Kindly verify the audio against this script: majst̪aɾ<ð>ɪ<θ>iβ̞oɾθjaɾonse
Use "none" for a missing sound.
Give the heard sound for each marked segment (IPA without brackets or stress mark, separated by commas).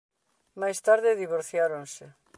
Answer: ð, ð